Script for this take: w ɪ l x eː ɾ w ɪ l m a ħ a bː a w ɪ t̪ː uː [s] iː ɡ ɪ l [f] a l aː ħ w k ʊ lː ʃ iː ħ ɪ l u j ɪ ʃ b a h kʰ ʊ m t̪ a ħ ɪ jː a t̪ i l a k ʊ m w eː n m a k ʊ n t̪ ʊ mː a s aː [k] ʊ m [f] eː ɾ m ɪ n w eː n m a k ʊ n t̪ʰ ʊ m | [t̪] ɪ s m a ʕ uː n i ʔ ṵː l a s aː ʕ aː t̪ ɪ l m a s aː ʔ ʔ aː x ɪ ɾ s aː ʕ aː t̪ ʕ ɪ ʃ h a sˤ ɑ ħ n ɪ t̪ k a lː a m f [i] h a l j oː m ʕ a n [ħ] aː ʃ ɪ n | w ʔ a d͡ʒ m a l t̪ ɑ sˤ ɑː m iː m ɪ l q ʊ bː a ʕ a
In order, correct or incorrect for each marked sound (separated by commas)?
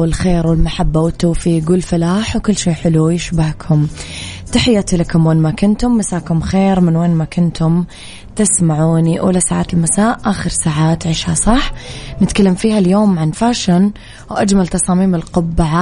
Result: incorrect, correct, correct, incorrect, correct, incorrect, incorrect